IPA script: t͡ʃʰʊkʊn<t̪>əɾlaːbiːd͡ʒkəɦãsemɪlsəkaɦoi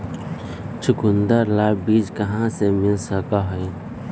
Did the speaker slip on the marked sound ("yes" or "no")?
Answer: yes